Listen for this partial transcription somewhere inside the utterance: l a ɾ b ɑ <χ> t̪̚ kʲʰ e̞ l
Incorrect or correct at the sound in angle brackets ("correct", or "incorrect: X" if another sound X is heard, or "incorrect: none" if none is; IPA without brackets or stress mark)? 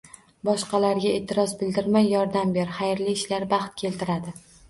correct